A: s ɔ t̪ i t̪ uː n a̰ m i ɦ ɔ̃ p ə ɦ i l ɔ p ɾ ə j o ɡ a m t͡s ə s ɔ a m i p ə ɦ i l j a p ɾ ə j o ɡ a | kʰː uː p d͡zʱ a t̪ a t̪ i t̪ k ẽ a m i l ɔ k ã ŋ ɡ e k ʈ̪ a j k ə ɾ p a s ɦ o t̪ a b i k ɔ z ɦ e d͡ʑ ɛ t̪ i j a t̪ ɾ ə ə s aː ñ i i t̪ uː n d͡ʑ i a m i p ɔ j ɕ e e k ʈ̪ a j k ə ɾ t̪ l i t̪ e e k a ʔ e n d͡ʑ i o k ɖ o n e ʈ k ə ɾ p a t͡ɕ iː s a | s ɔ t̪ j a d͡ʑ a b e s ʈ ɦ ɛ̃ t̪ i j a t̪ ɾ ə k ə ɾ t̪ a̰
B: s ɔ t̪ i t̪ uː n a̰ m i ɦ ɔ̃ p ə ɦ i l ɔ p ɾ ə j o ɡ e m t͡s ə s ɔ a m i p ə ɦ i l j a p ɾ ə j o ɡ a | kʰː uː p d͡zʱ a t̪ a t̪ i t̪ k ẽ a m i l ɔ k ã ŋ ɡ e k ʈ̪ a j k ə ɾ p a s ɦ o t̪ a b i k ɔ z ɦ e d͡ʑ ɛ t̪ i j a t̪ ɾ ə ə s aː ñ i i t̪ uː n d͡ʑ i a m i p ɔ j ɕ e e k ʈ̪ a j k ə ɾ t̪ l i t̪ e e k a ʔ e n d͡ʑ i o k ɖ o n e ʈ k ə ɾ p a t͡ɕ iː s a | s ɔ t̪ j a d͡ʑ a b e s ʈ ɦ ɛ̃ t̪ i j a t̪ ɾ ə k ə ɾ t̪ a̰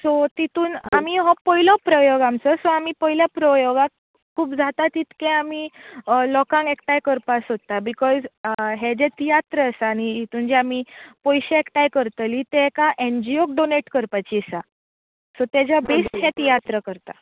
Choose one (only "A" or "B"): A